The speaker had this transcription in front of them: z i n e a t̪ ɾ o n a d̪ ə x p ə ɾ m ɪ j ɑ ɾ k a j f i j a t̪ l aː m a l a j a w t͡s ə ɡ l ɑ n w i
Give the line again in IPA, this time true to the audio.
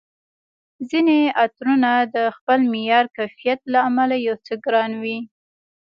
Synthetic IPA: z i n e a t̪ ɾ u n a d̪ ə x p ə l m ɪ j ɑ ɾ k a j f i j a t̪ l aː m a l a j a w t͡s ə ɡ ɾ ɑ n w i